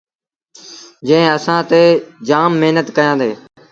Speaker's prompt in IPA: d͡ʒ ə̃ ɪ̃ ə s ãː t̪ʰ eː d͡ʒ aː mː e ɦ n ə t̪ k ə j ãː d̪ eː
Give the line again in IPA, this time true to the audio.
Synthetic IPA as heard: d͡ʒ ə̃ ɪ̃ ə s ãː t̪ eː d͡ʒ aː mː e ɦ n ə t̪ k ə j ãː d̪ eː